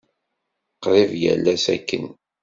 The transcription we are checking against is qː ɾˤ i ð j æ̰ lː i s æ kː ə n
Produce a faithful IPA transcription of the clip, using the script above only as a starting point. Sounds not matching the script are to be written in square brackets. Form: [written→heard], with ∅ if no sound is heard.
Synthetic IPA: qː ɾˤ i [ð→v] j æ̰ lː [i→æ] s æ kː ə n

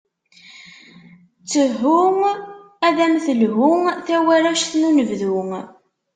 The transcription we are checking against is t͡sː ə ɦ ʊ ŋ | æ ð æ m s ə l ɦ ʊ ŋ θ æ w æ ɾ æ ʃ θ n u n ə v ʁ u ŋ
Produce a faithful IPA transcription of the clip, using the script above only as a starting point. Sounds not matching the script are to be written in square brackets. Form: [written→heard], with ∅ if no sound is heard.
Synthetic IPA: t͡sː ə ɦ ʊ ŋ | æ ð æ m [s→θ] ə l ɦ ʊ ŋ θ æ w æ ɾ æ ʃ θ n u n ə v [ʁ→ð] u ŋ

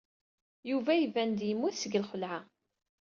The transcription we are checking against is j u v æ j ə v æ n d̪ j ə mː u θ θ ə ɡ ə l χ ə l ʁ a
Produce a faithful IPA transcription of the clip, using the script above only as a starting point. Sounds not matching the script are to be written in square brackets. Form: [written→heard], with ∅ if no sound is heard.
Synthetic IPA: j u v æ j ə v æ n d̪ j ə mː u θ [θ→s] ə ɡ ə l χ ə l [ʁ→ʕ] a

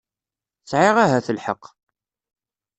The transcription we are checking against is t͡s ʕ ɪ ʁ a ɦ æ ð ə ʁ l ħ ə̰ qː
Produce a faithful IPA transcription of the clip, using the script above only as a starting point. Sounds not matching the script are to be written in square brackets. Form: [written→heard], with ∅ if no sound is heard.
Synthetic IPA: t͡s ʕ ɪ ʁ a ɦ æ [ð→θ] ə [ʁ→∅] l ħ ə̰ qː

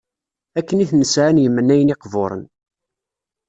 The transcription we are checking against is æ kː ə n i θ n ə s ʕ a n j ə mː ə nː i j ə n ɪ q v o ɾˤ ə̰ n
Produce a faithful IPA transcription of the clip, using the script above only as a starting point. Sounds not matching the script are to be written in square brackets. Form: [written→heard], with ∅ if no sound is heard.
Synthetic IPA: æ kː ə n i θ n ə s ʕ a n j ə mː ə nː [i→æ] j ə n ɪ q v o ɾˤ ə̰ n

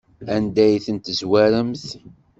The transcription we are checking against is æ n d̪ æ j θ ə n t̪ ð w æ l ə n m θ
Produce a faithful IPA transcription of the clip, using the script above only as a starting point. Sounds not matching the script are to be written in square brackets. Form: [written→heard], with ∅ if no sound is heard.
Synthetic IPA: æ n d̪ æ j θ ə n t̪ [ð→z] w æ [l→ɾ] ə [n→∅] m θ

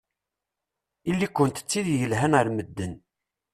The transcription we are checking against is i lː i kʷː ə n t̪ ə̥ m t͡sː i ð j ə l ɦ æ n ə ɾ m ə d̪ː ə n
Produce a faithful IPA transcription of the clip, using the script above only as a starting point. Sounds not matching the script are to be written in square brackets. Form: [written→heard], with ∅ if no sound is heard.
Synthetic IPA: i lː i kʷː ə n t̪ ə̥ [m→∅] t͡sː i ð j ə l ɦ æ n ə ɾ m ə d̪ː ə n

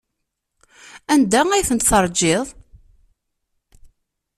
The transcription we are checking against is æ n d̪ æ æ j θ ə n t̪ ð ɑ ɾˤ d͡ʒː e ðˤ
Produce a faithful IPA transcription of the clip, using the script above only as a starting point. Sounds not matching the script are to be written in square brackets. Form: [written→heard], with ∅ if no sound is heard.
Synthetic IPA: æ n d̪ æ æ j θ ə n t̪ [ð→θ] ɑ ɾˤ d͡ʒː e ðˤ

